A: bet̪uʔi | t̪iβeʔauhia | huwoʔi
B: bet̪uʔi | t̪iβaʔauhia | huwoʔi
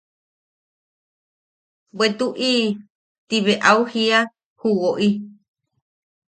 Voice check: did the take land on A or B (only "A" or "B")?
A